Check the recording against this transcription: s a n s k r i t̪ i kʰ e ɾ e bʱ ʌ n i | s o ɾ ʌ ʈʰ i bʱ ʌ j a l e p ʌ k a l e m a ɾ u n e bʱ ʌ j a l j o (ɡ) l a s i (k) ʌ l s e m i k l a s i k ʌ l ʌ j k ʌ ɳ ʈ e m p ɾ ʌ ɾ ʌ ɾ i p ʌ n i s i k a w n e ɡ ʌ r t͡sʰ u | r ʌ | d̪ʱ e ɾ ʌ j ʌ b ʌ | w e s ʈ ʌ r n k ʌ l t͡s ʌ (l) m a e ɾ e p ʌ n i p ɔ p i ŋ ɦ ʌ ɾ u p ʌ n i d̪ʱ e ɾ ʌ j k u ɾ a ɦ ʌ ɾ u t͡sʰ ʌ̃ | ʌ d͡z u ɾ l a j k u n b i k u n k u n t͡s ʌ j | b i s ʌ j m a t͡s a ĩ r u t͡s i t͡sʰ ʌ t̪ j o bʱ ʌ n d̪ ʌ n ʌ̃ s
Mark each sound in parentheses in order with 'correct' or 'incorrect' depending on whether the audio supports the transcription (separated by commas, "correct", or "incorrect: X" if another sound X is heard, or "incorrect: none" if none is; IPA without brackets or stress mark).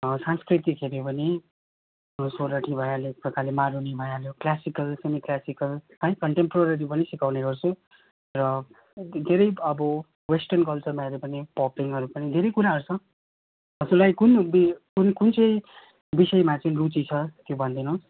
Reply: incorrect: k, correct, incorrect: r